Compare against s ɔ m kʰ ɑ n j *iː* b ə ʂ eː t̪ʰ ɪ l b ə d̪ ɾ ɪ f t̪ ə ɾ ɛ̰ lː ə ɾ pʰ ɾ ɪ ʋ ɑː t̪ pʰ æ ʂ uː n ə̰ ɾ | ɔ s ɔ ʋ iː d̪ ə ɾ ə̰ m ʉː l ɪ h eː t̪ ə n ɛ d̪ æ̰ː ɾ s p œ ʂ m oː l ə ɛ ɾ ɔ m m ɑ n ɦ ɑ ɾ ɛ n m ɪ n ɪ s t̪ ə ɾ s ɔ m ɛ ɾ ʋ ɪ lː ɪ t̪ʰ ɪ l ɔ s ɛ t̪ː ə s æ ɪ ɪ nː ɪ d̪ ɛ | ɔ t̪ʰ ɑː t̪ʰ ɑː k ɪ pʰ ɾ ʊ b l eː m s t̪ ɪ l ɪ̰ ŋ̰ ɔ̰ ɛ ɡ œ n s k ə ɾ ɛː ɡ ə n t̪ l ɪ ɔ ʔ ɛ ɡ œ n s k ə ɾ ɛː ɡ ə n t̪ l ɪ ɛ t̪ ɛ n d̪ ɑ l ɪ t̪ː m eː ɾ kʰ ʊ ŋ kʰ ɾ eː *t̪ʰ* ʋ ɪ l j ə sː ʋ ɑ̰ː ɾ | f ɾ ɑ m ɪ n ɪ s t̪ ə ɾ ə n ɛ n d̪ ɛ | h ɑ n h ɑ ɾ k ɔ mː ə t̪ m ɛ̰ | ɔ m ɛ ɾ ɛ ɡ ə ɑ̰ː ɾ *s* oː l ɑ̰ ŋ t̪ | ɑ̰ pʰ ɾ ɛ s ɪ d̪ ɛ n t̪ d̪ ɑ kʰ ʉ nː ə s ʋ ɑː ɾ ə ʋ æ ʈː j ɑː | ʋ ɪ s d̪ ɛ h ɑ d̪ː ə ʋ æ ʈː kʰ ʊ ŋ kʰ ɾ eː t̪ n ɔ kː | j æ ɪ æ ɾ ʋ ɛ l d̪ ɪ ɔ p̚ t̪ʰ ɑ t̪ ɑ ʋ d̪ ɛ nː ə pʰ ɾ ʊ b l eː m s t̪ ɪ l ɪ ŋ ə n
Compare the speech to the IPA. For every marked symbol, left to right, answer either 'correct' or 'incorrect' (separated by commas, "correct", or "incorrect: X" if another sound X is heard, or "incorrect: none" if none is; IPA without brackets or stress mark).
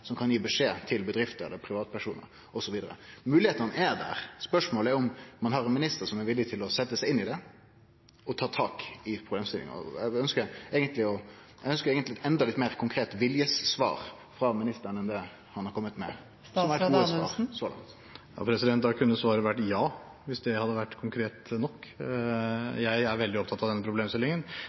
correct, incorrect: t̪, correct